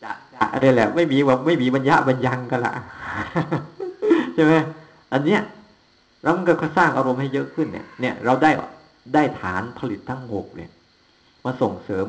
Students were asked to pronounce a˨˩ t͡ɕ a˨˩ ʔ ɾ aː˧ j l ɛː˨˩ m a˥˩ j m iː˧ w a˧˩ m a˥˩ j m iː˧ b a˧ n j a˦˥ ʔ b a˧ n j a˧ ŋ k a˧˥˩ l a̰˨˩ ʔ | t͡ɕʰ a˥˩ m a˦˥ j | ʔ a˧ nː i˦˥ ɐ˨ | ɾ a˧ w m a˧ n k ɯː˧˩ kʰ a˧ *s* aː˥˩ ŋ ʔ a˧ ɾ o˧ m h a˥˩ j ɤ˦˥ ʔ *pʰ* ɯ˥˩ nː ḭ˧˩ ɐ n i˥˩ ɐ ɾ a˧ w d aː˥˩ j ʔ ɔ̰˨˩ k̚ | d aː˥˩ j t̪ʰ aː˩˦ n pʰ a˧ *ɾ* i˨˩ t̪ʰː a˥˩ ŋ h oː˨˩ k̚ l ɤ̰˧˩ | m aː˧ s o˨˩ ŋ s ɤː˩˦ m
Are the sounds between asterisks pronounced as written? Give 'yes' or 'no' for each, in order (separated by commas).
yes, no, no